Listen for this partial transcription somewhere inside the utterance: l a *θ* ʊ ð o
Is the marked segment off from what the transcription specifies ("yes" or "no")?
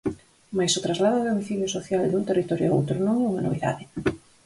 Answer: yes